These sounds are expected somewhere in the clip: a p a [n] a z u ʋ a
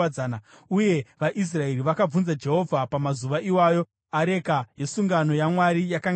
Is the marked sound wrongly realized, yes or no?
yes